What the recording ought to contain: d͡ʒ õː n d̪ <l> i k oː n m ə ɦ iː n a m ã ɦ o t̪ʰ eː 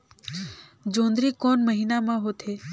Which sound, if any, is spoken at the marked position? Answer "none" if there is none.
ɾ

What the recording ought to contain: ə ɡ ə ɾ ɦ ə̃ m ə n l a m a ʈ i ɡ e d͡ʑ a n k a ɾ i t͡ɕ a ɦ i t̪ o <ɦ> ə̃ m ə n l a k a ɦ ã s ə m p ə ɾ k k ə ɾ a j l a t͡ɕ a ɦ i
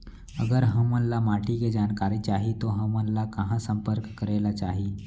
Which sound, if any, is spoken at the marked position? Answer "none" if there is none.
ɦ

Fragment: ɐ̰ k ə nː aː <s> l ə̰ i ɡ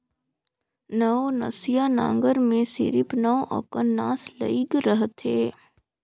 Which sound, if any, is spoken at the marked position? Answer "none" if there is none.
s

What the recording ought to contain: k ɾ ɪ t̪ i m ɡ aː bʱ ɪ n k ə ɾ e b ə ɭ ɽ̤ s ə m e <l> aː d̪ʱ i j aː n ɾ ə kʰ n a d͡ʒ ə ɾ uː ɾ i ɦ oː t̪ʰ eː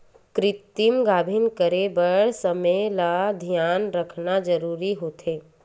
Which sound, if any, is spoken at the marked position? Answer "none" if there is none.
l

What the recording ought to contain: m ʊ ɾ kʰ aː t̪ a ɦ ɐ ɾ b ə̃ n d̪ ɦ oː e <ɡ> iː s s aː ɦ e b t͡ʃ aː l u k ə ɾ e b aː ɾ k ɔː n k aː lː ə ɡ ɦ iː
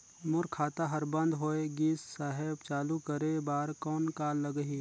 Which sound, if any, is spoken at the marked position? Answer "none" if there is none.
ɡ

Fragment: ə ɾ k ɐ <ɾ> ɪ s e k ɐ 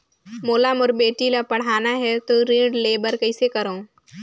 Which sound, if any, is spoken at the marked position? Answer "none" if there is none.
none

